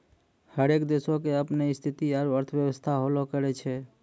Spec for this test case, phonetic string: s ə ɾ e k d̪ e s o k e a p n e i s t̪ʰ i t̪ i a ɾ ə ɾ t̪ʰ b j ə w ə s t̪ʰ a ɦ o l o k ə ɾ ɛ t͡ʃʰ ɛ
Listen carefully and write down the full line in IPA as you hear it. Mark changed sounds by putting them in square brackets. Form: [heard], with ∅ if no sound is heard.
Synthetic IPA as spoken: [h] ə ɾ e k d̪ e s o k e [ə] p n e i s t̪ʰ i t̪ i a ɾ ə ɾ t̪ʰ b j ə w ə s t̪ʰ a ɦ o l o k ə ɾ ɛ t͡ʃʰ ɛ